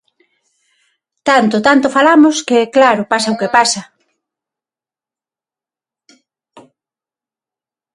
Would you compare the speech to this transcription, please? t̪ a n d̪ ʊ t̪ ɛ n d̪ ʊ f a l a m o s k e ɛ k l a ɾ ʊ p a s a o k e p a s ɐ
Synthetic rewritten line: t̪ a n t̪ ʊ t̪ a n t̪ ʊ f a l a m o s k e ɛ k l a ɾ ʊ p a s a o k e p a s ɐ

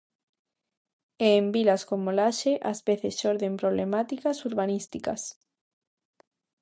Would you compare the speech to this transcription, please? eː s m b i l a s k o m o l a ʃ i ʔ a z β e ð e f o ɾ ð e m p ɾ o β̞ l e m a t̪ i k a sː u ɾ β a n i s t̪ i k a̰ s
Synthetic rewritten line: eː m b i l a s k o m o l a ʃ e ʔ a z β e θ e s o ɾ ð e m p ɾ o β̞ l e m a t̪ i k a s u ɾ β a n i s t̪ i k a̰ s

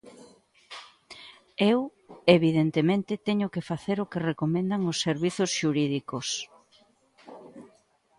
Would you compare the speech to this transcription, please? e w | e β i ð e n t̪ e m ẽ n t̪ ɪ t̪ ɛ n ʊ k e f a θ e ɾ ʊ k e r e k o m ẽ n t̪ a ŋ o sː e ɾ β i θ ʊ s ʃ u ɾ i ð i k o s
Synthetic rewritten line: e w | e β i ð e n t̪ e m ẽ n t̪ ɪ t̪ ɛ ɲ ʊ k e f a θ e ɾ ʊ k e r e k o m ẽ n d̪ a ŋ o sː e ɾ β i θ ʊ s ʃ u ɾ i ð i k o s

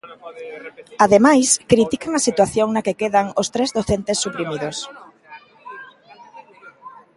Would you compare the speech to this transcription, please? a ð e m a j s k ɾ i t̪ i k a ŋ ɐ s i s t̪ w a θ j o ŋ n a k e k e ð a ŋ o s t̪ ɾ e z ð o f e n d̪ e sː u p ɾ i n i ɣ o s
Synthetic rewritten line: a ð e m a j s k ɾ i t̪ i k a ŋ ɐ s i t̪ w a θ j o ŋ n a k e k e ð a ŋ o s t̪ ɾ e z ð o θ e n t̪ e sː u p ɾ i m i ð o s

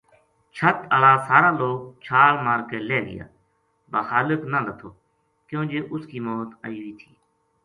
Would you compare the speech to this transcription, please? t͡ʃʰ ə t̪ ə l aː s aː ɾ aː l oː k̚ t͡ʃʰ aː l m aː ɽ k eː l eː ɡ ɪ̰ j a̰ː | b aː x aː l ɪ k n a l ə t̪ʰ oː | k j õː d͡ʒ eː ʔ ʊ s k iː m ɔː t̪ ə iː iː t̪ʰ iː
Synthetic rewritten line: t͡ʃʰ ə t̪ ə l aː s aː ɾ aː l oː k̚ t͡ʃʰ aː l m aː ɾ k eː l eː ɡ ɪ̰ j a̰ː | b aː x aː l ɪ k n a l ə t̪ʰ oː | k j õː d͡ʒ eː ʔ ʊ s k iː m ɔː t̪ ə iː iː t̪ʰ iː

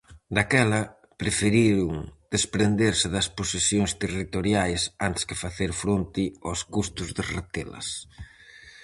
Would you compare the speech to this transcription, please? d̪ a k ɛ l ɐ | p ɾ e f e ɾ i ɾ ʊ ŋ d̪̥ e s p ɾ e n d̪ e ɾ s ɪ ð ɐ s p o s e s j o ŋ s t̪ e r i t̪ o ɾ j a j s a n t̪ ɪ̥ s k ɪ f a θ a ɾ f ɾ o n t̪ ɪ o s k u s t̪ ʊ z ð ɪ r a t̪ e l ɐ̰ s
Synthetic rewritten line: d̪ a k ɛ l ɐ | p ɾ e f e ɾ i ɾ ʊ ŋ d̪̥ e s p ɾ e n d̪ e ɾ s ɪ ð ɐ s p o s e s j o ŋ s t̪ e r i t̪ o ɾ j a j s a n t̪ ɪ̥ s k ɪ f a θ e ɾ f ɾ o n t̪ ɪ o s k u s t̪ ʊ z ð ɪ r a t̪ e l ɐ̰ s

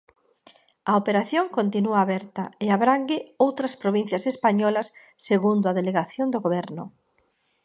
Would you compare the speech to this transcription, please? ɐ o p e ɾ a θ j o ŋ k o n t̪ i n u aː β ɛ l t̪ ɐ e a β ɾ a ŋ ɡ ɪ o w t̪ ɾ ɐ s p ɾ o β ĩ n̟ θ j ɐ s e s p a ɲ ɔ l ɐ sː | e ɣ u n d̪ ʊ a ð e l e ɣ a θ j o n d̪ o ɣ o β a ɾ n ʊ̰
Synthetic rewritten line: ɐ o p e ɾ a θ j o ŋ k o n t̪ i n u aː β ɛ ɾ t̪ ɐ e a β ɾ a ŋ ɡ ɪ o w t̪ ɾ ɐ s p ɾ o β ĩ n̟ θ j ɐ s e s p a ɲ ɔ l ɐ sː | e ɣ u n d̪ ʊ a ð e l e ɣ a θ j o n d̪ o ɣ o β ɛ ɾ n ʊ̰

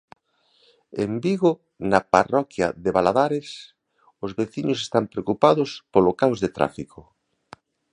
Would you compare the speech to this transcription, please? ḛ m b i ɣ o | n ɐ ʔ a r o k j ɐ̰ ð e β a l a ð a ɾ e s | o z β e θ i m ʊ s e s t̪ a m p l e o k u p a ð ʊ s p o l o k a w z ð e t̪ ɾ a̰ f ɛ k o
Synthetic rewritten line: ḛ m b i ɣ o | n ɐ p a r ɔ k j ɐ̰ ð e β a l a ð a ɾ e s | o z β e θ i ɲ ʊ s e s t̪ a m p ɾ e o k u p a ð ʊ s p o l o k a w z ð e t̪ ɾ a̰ f i k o

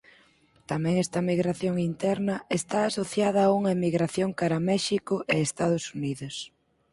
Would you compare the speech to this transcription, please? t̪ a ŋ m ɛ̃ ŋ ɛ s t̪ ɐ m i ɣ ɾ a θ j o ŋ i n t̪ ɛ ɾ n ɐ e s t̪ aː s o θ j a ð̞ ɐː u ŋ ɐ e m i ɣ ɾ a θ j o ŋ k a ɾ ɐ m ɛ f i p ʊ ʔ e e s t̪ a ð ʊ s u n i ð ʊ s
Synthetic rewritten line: t̪ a m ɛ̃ ŋ ɛ s t̪ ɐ m i ɣ ɾ a θ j o ŋ i n t̪ ɛ ɾ n ɐ e s t̪ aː s o θ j a ð̞ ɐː u ŋ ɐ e m i ɣ ɾ a θ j o ŋ k a ɾ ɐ m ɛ ʃ i k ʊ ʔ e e s t̪ a ð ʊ s u n i ð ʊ s

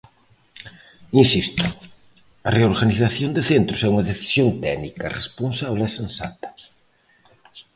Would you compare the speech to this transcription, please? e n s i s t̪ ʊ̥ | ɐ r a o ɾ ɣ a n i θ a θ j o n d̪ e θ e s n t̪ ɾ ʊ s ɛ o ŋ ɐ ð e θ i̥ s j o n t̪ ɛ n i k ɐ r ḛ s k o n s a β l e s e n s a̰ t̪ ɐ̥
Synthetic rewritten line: i n s i s t̪ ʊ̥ | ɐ r e o ɾ ɣ a n i θ a θ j o n d̪ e θ e n t̪ ɾ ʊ s ɛ u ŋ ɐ ð e θ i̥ s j o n t̪ ɛ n i k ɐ r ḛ s p o n s a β l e s e n s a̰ t̪ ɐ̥

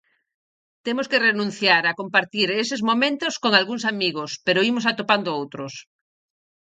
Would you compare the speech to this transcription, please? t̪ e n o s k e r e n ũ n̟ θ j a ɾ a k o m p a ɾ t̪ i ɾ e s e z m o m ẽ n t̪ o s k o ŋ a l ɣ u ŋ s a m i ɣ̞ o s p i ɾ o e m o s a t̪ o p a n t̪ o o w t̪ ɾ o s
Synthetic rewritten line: t̪ e m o s k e r e n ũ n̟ θ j a ɾ a k o m p a ɾ t̪ i ɾ e s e z m o m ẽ n t̪ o s k o ŋ a l ɣ u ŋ s a m i ɣ̞ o s p e ɾ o i m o s a t̪ o p a n d̪ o o w t̪ ɾ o s

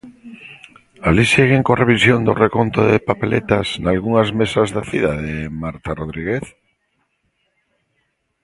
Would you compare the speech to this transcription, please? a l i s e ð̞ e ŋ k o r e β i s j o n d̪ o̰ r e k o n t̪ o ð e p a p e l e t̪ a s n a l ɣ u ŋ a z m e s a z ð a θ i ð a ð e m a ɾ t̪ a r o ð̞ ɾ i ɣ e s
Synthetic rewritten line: a l i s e ɣ̞ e ŋ k o r e β i s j o n d̪ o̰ r e k o n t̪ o ð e p a p e l e t̪ a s n a l ɣ u ŋ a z m e s a z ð a θ i ð a ð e m a ɾ t̪ a r o ð̞ ɾ i ɣ e θ

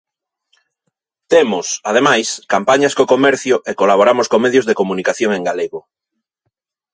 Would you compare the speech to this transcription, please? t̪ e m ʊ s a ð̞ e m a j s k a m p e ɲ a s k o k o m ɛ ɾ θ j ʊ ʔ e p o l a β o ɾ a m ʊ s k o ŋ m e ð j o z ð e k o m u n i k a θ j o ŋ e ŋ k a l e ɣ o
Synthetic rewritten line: t̪ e m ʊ s a ð̞ e m a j s k a m p a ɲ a s k o k o m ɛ ɾ θ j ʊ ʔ e k o l a β o ɾ a m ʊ s k o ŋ m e ð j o z ð e k o m u n i k a θ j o ŋ e ŋ ɡ a l e ɣ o

